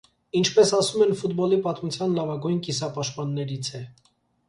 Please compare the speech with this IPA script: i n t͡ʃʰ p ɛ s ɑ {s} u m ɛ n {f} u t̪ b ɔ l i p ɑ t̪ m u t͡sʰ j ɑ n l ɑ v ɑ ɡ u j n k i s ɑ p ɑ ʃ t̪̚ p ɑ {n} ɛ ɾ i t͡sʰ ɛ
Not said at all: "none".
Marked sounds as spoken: s, f, nː

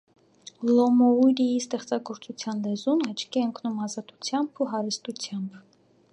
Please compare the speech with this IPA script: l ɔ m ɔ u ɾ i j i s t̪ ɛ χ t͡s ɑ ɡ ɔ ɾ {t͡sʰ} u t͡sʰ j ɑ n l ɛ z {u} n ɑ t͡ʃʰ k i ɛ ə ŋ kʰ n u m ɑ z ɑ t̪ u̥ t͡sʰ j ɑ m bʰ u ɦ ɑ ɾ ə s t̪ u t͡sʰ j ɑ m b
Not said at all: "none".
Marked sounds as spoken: t͡s, u

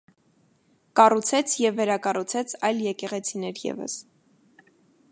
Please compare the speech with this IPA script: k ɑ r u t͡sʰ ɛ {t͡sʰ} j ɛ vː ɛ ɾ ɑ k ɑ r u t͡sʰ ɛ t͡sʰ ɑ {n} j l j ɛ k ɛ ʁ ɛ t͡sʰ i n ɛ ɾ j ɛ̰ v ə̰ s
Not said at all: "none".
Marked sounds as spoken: t͡sʰ, none

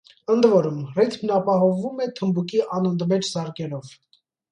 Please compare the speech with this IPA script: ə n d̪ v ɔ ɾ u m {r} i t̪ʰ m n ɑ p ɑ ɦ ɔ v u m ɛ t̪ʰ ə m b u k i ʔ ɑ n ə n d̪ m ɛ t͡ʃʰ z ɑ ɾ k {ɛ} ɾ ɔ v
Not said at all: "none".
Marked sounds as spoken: r, ɛ

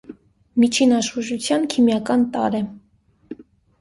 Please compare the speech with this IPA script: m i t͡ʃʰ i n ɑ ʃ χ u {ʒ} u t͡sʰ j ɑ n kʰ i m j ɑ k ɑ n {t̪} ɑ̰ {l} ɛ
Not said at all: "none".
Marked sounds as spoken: ʒ, t̪, ɾ

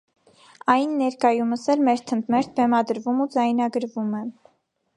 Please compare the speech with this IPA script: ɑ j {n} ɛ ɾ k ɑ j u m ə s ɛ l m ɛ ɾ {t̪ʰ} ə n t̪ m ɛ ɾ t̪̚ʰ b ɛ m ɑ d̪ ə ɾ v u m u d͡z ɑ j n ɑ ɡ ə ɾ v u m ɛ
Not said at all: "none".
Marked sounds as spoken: nː, t̪ʰ

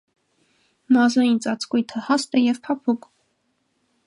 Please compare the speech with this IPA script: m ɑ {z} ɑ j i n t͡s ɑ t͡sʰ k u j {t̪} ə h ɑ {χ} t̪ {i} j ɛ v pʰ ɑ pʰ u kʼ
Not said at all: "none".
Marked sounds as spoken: z, t̪ʰ, s, ɛ

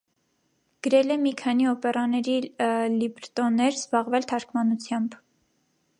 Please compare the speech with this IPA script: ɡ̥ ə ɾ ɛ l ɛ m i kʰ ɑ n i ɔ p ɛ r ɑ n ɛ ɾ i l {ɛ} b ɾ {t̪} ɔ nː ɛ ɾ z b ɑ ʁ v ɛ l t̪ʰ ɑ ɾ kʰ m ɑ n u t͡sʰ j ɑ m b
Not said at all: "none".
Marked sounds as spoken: i, t̪

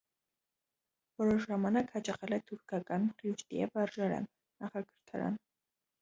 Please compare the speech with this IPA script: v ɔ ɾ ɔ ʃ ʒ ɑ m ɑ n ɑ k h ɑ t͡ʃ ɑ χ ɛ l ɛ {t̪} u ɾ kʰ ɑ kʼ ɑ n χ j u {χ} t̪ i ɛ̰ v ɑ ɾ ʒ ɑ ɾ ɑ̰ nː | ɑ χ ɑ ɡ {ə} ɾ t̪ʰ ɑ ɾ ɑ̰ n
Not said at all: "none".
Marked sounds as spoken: t̪ʰ, ʃ, ə

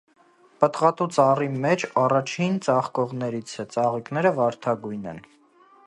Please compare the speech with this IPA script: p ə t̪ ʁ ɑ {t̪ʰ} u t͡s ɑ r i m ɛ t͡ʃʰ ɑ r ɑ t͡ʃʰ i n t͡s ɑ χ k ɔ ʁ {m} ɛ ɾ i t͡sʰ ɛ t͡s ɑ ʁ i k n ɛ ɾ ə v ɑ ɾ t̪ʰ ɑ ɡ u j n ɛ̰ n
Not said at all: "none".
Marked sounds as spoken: t̪, n

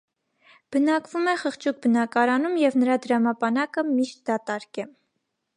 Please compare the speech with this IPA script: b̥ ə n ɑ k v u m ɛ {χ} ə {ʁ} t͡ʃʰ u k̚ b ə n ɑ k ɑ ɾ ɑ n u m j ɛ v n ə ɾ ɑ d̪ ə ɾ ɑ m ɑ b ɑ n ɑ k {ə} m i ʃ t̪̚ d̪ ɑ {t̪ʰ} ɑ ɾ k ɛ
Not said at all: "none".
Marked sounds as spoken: χ, χ, ə, t̪

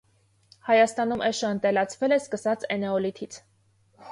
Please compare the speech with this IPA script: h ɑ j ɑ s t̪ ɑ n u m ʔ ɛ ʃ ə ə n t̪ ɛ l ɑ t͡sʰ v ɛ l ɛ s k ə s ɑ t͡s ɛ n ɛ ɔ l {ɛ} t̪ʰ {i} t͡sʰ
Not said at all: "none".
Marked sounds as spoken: i, i

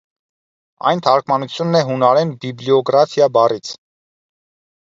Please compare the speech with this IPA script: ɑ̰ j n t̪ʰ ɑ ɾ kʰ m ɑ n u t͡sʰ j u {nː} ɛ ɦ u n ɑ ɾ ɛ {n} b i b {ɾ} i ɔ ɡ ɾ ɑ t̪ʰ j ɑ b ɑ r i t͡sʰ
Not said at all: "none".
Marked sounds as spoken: nː, n, l

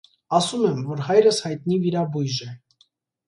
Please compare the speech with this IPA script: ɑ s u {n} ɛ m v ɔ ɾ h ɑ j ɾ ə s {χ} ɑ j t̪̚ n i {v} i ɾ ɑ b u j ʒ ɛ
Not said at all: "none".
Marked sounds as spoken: m, h, v

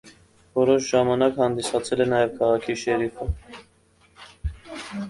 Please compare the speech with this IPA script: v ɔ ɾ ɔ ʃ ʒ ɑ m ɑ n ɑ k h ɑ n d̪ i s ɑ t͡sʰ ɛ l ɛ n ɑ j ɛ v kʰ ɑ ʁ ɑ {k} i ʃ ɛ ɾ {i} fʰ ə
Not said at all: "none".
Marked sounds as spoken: kʰ, i

